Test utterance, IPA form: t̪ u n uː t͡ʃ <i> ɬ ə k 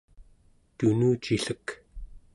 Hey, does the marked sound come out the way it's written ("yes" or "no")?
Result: yes